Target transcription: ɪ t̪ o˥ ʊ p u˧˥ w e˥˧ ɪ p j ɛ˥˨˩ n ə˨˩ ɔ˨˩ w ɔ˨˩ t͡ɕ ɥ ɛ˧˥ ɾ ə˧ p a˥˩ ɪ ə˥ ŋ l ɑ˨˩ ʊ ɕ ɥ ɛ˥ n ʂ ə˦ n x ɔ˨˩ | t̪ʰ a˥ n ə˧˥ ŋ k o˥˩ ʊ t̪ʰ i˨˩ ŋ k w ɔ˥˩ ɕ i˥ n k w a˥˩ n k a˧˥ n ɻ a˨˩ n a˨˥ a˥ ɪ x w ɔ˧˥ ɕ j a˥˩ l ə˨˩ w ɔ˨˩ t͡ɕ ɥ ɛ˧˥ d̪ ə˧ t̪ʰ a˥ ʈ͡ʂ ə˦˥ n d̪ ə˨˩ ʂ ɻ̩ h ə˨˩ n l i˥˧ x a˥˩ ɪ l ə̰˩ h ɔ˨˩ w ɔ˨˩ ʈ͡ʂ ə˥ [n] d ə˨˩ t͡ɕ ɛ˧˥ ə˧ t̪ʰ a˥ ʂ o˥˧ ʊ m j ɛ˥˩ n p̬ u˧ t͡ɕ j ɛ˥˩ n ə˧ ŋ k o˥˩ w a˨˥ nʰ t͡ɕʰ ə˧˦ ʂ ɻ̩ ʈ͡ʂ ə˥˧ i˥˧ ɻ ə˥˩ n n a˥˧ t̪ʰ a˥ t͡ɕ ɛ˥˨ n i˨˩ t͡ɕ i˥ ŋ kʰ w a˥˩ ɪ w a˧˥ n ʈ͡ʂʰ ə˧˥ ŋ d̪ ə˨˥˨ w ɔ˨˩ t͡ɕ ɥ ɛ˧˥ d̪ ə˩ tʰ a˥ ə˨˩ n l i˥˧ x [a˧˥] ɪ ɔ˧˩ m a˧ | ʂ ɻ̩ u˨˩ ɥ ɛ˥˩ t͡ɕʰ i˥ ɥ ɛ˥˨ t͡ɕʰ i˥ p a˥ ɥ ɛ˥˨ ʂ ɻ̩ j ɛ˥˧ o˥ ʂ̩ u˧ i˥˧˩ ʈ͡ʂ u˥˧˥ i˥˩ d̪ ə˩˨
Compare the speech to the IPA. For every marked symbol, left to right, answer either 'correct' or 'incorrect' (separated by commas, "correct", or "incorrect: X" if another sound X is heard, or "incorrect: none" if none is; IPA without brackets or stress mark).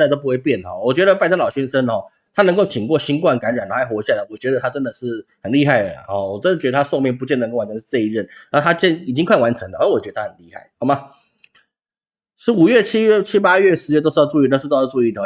correct, incorrect: a˥˩